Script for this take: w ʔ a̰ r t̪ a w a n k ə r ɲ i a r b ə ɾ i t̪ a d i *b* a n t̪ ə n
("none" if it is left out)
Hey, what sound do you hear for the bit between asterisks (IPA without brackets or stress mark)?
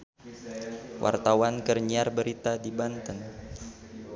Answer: b